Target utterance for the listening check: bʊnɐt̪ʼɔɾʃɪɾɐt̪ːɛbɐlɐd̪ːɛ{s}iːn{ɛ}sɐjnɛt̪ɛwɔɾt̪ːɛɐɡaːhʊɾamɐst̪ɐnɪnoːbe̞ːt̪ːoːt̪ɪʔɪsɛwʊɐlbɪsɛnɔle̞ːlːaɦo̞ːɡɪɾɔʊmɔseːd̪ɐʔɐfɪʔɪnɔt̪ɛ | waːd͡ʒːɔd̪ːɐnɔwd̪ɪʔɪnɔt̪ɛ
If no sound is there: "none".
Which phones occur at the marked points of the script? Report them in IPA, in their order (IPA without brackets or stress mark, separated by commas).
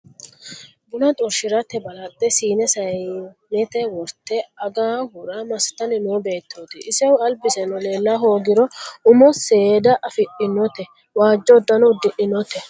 s, ɛ